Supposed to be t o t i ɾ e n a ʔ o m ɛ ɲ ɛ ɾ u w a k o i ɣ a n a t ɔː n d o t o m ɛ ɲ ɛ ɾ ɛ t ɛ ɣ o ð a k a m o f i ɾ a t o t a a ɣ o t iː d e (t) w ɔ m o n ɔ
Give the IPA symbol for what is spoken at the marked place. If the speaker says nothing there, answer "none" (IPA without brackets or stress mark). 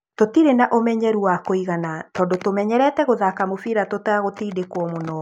k